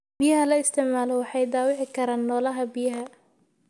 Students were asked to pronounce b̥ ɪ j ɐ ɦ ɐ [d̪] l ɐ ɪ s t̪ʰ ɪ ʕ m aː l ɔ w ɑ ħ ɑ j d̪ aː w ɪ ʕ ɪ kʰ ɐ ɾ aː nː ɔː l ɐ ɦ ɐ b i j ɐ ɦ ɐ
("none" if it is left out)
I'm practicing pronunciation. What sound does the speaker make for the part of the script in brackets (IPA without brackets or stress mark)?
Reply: none